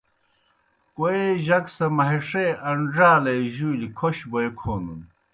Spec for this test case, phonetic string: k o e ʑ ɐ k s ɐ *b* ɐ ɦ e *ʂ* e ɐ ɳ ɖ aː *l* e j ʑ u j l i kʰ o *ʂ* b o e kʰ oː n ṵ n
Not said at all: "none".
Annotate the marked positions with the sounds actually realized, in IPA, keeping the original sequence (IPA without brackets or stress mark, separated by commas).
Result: m, ʂ, l, ɕ